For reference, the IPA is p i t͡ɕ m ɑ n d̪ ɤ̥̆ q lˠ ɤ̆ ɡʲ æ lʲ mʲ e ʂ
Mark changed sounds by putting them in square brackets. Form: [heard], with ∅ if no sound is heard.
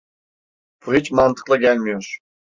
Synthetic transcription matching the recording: p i t͡ɕ m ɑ n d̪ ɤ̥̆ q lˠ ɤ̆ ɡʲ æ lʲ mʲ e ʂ